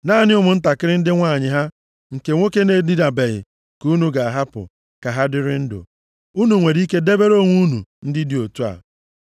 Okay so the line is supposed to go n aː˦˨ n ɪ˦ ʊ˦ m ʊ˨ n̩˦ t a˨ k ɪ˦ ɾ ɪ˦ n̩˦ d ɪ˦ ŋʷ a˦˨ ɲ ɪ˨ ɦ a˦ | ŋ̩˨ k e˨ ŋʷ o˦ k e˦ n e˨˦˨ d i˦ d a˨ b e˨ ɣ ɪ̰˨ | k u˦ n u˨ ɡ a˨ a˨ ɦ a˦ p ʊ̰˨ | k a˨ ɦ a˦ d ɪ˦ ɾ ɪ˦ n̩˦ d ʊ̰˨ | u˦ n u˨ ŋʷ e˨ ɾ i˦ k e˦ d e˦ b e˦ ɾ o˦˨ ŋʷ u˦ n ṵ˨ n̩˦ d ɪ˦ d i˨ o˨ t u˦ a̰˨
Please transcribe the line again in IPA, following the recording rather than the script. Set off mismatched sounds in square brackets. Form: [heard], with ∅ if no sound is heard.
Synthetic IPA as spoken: n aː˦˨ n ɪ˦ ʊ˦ m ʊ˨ n̩˦ t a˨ k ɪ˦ ɾ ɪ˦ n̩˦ d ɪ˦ ŋʷ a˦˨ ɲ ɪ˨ ɦ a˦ | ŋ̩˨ k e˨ ŋʷ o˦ k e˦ n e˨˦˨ d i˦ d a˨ b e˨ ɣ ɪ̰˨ | k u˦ n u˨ ɡ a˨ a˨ ɦ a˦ p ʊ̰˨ | k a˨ ɦ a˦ d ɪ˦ ɾ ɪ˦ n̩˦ d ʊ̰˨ | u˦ n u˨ ŋʷ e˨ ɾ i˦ k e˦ d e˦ b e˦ ɾ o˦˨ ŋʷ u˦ n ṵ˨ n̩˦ d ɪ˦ d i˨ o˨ t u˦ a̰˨